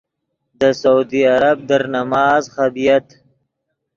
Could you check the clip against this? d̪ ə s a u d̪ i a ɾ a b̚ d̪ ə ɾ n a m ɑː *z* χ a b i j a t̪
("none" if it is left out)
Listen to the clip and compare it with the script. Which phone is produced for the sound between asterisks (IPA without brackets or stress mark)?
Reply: z